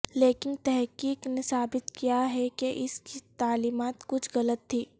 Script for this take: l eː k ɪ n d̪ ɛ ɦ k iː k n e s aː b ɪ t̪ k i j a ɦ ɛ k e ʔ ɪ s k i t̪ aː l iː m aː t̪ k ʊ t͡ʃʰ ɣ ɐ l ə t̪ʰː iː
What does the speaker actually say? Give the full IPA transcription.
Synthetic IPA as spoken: l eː k ɪ n t̪ ɛ ɦ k iː k n e s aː b ɪ t̪ k i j a ɦ ɛ k e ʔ ɪ s k i t̪ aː l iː m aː t̪ k ʊ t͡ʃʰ ɣ ɐ l ə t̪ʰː iː